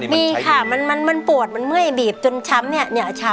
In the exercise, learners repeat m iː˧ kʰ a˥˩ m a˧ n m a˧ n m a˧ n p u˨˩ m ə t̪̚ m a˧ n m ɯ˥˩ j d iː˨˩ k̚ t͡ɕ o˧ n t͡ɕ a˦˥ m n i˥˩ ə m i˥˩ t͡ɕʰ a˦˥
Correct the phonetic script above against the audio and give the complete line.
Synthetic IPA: m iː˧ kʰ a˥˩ m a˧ n m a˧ n m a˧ n p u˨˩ ə t̪̚ m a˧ n m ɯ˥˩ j b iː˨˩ p̚ t͡ɕ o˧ n t͡ɕʰ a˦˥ m n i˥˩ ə n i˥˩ t͡ɕʰ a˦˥